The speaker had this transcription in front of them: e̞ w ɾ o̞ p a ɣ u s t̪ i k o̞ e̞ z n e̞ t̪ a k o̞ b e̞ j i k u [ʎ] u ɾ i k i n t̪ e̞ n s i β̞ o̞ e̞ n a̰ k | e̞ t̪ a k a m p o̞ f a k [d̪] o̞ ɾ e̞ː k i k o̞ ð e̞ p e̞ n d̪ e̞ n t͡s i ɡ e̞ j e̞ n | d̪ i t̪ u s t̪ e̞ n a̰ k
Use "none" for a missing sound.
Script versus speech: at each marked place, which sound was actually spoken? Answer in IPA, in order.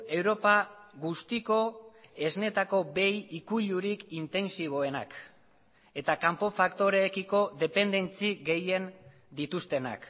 ʎ, t̪

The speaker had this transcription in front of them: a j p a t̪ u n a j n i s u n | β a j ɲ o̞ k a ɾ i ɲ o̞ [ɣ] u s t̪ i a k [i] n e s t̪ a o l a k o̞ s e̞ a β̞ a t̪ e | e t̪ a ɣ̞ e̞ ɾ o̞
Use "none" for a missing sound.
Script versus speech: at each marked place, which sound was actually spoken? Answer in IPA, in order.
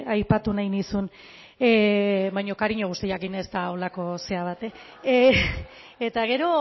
ɣ, i

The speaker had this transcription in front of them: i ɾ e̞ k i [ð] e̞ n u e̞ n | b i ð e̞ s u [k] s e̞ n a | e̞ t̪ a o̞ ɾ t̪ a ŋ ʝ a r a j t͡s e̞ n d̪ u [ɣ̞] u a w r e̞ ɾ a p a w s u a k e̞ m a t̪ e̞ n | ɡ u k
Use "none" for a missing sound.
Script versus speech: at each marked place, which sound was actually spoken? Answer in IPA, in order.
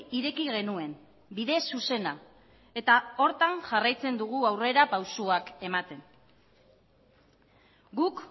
ɣ, none, ɣ̞

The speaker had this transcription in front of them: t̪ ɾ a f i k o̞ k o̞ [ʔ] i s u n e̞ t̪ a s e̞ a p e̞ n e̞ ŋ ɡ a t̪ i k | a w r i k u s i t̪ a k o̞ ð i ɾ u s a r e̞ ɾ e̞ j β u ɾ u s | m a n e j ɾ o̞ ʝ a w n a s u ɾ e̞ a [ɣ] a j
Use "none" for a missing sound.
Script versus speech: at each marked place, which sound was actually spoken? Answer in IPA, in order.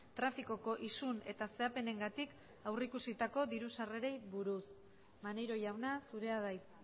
ʔ, ð

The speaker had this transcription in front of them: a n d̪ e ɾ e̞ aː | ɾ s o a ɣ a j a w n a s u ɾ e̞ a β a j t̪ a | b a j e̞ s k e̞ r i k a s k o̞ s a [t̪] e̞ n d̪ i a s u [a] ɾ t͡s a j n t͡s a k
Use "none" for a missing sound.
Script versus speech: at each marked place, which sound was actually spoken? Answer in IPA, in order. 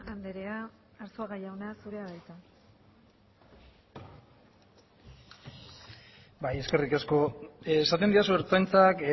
t̪, e

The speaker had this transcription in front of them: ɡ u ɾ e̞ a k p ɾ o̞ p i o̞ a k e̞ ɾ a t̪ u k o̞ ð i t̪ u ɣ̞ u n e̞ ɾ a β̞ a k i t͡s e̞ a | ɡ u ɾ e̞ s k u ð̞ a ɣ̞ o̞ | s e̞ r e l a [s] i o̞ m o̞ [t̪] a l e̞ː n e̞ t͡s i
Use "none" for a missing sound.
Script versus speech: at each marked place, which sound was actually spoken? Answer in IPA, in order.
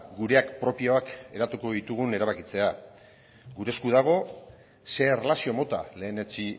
s, t̪

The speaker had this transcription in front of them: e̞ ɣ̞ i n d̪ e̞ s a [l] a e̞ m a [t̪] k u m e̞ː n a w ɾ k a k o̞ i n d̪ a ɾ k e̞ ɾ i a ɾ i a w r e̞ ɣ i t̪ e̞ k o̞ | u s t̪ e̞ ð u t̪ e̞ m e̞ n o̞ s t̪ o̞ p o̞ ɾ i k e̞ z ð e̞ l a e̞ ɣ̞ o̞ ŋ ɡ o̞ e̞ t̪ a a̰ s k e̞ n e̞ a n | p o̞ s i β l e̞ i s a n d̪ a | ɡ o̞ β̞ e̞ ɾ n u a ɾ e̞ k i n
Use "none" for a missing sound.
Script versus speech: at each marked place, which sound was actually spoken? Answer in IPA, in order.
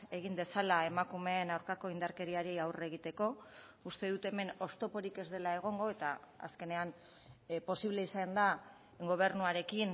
l, none

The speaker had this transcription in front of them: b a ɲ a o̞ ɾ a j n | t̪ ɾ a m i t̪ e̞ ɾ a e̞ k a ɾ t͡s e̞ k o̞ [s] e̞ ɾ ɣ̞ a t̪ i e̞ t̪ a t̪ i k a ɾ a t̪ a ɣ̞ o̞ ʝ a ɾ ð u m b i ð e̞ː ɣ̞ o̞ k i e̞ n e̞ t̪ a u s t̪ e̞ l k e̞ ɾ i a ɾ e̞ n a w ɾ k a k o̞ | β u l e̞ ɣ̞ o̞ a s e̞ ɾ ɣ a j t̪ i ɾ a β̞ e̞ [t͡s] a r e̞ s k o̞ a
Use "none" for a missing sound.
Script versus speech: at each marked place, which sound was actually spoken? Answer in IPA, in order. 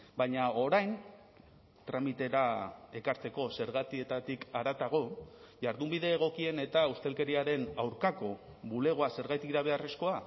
s, none

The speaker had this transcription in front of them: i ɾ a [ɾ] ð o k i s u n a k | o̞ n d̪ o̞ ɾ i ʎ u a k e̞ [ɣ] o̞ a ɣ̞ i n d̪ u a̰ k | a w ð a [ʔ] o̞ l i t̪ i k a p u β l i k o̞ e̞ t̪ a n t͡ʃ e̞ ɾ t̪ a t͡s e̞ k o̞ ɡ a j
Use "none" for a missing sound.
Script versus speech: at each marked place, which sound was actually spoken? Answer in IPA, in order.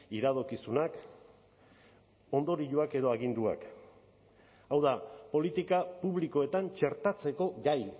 none, ð, p

